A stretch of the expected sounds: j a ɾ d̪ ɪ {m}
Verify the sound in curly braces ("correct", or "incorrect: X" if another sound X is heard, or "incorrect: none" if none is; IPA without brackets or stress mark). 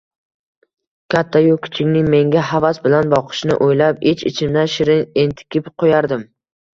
correct